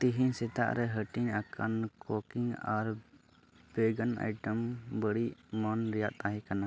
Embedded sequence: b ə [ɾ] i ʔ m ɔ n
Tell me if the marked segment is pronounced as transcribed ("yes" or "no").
no